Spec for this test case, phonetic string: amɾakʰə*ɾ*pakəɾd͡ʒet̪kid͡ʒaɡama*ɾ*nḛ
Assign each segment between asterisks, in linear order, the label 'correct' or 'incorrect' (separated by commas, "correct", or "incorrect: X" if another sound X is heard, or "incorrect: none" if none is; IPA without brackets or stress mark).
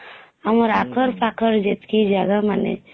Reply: correct, incorrect: none